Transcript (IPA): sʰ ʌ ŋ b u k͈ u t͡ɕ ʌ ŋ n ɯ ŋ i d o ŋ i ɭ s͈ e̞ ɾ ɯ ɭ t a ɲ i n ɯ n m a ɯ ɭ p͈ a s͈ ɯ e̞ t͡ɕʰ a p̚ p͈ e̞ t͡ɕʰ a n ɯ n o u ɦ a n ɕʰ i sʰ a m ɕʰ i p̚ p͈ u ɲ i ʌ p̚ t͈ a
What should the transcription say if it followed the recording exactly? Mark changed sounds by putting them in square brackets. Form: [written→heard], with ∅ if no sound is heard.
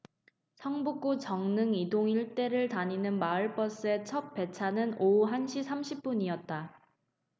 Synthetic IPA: sʰ ʌ ŋ b u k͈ u t͡ɕ ʌ ŋ n ɯ ŋ i d o ŋ i ɭ [s͈→t͈] e̞ ɾ ɯ ɭ t a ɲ i n ɯ n m a ɯ ɭ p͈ [a→ʌ] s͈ ɯ e̞ t͡ɕʰ [a→ʌ] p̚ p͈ e̞ t͡ɕʰ a n ɯ n o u ɦ a n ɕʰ i sʰ a m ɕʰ i p̚ p͈ u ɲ i ʌ [p̚→t̚] t͈ a